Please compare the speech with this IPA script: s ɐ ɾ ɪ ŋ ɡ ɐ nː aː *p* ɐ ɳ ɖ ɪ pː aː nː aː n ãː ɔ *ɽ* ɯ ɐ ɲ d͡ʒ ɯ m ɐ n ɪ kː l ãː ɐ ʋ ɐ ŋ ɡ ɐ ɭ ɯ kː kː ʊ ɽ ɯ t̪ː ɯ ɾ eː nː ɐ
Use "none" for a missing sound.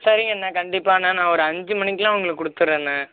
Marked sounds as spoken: k, ɾ

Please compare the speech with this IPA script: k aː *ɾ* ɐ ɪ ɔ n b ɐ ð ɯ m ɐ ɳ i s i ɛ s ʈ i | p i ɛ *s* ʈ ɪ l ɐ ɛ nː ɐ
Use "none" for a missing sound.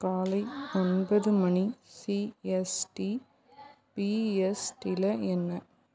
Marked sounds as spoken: l, s

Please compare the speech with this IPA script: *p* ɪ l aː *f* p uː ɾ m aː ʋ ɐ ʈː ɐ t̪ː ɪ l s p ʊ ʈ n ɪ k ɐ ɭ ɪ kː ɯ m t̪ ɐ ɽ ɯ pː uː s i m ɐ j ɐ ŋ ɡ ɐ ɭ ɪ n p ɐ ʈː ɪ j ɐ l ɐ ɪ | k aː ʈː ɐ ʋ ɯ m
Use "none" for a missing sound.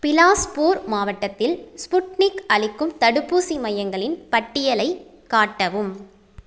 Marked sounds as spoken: p, s

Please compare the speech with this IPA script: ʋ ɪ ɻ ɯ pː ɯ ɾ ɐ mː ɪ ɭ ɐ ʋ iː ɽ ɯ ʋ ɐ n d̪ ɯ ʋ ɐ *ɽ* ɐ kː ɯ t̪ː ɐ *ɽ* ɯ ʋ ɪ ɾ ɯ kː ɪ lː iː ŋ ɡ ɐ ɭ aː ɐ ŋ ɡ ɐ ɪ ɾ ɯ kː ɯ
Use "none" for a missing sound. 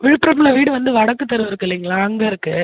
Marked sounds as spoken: ɽ, ɾ

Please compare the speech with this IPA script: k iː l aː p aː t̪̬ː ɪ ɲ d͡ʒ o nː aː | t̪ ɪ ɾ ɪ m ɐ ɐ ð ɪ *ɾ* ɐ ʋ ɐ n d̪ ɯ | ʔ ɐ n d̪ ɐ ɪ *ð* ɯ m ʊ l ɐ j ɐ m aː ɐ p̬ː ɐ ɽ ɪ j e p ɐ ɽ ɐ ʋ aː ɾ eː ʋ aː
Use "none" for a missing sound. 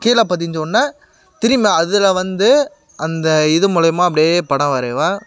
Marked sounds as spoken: l, ð

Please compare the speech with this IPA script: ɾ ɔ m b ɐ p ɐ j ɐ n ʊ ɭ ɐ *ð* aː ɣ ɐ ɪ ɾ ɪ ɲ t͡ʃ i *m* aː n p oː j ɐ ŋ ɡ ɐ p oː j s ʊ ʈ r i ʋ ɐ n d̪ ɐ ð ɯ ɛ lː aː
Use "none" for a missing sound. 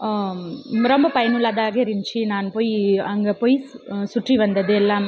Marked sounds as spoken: ð, n

